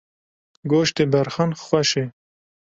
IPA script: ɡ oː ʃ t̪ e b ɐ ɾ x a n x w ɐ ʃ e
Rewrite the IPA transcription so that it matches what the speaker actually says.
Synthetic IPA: ɡ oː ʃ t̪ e b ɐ ɾ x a n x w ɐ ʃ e